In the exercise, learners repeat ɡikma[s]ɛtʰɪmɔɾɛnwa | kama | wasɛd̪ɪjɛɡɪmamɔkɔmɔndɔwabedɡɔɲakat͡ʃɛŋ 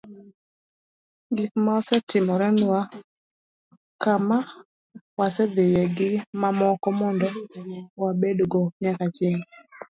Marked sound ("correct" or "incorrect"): correct